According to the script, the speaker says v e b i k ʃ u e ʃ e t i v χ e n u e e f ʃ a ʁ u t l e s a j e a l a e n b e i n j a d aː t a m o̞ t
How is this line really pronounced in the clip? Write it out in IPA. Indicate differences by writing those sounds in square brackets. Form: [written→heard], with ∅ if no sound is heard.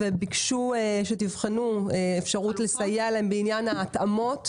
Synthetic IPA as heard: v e b i k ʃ u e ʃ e t i v χ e n u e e f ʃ a ʁ u t l e s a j e a l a e [n→m] b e i n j a [d→n] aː t a m o̞ t